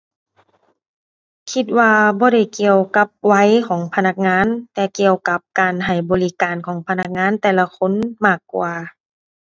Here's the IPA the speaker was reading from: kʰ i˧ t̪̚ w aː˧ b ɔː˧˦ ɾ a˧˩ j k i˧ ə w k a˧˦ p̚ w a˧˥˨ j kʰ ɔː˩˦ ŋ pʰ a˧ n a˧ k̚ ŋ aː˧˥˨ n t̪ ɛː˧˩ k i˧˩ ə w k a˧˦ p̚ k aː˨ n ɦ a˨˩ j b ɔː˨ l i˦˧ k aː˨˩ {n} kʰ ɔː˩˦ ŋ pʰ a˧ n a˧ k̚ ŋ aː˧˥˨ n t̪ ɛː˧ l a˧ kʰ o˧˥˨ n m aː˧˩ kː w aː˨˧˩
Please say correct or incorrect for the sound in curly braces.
correct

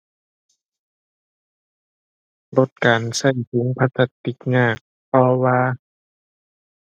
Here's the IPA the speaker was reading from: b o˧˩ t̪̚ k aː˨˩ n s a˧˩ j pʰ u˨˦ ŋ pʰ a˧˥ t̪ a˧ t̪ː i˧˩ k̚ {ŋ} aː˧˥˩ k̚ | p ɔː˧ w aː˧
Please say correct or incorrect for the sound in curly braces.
correct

